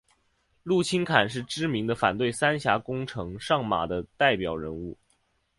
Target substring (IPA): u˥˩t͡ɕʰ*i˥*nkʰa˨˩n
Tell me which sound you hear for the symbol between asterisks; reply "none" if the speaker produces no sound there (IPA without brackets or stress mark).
i˥